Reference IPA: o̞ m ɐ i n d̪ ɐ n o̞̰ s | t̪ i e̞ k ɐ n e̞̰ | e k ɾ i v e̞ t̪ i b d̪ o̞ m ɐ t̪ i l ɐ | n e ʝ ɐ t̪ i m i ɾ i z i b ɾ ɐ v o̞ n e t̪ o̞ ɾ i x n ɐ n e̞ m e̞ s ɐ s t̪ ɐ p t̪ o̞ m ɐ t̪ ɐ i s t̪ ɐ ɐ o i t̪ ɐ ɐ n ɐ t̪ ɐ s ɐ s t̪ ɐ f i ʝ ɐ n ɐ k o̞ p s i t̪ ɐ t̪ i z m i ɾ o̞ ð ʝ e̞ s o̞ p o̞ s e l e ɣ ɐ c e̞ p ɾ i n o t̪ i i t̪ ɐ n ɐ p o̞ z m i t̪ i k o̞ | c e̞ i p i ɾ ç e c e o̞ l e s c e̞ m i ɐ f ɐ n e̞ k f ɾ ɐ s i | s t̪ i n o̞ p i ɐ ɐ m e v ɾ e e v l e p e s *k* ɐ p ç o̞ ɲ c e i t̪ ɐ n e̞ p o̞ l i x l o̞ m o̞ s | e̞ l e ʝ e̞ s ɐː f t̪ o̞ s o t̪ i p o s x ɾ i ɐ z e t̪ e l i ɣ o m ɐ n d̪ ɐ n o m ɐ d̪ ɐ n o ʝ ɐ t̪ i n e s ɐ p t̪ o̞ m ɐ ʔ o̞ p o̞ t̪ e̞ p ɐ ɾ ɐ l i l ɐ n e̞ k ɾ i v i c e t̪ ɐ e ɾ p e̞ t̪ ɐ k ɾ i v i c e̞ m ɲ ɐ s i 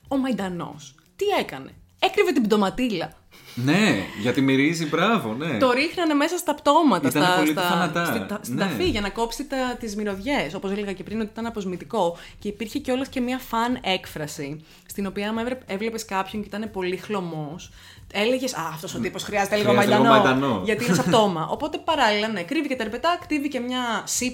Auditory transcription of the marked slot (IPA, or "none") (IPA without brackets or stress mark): k